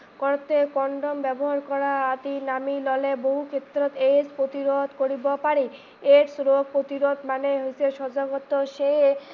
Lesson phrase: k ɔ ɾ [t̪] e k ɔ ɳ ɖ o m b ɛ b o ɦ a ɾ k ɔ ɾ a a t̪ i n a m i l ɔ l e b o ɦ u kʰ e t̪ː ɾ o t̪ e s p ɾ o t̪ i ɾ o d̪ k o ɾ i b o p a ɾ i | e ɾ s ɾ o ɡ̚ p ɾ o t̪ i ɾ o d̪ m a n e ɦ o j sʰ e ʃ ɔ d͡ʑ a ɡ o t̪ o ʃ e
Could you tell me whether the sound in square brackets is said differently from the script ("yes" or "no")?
no